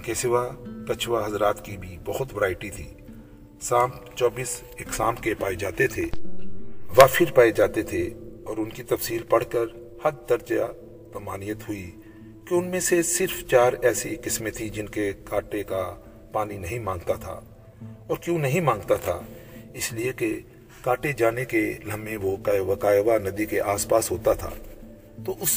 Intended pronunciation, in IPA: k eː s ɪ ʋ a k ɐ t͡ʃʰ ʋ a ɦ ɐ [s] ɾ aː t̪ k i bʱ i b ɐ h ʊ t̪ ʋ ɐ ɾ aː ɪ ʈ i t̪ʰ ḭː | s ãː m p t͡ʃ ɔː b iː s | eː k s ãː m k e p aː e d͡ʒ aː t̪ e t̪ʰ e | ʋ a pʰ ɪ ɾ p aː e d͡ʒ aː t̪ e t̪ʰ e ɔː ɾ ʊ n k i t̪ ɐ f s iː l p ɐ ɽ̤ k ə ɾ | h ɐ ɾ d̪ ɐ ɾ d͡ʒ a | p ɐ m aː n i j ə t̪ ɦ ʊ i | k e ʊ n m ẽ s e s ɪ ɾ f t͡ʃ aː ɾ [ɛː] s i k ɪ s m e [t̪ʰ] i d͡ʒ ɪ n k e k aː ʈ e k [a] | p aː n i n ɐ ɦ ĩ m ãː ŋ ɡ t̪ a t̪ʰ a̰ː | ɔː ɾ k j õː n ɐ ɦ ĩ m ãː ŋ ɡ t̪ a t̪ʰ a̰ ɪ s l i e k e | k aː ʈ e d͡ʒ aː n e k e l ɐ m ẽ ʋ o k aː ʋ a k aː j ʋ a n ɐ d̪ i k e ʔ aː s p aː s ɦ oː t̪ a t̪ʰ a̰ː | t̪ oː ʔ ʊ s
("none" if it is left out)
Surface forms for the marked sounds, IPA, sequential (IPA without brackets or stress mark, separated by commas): z, ɛː, t̪ʰ, a